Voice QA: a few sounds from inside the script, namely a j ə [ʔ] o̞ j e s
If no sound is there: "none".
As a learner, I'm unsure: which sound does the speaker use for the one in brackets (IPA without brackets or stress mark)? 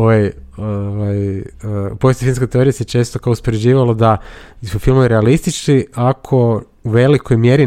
p